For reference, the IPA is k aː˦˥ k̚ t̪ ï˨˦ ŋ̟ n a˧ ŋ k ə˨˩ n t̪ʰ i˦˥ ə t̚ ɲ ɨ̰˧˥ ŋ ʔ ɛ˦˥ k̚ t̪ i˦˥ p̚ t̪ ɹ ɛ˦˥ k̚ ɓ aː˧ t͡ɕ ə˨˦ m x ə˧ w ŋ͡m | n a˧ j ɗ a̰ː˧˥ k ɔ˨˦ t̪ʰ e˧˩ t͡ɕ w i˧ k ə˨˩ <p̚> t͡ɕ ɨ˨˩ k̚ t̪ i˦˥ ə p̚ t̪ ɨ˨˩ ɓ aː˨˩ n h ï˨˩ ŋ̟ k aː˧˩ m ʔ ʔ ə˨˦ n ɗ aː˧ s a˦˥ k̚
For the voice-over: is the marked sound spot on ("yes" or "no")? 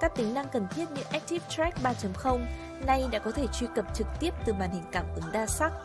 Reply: yes